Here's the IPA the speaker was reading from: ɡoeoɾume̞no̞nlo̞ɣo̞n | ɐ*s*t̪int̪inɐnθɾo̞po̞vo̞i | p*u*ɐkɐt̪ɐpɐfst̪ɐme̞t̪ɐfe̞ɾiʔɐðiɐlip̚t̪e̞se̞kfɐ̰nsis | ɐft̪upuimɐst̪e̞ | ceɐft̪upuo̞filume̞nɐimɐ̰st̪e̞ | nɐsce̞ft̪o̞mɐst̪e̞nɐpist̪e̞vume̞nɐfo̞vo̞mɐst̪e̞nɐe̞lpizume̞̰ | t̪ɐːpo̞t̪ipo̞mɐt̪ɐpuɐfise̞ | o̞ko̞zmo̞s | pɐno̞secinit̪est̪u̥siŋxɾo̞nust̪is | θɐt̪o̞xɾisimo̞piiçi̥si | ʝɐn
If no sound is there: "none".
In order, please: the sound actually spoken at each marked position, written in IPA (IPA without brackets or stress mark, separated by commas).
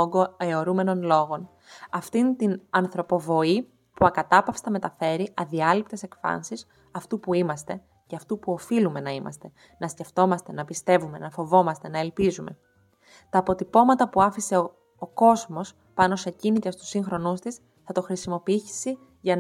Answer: f, u